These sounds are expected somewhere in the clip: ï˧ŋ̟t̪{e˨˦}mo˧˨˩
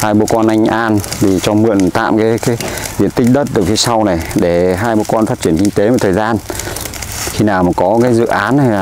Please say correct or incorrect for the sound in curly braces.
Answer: correct